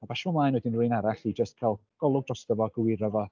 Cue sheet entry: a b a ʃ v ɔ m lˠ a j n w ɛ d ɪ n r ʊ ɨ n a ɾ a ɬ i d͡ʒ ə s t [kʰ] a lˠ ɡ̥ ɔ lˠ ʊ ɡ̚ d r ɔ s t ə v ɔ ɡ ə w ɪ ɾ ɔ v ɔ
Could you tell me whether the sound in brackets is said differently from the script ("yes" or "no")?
no